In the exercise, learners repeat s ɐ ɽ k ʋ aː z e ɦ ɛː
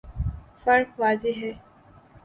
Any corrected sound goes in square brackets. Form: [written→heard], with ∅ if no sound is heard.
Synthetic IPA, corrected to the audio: [s→f] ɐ [ɽ→ɾ] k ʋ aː z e ɦ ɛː